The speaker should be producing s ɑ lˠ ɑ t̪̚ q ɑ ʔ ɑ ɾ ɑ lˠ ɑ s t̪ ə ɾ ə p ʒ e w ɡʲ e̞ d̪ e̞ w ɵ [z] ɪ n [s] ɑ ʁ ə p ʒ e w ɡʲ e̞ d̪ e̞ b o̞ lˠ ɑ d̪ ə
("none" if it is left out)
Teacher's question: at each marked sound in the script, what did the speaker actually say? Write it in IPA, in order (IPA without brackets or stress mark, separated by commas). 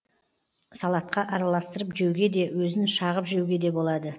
z, ʃ